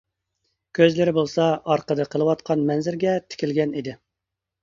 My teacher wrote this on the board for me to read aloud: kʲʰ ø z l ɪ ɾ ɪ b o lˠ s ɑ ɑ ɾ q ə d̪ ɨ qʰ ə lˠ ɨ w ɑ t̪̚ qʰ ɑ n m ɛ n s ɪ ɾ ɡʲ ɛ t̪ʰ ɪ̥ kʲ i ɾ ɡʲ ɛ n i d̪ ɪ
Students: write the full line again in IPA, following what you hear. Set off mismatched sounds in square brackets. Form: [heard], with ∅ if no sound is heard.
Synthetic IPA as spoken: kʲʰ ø z l ɪ ɾ ɪ b o lˠ s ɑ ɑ ɾ q ə d̪ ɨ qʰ ə lˠ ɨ w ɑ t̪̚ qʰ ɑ n m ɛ n [z] ɪ ɾ ɡʲ ɛ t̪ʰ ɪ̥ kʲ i [l] ɡʲ ɛ n i d̪ ɪ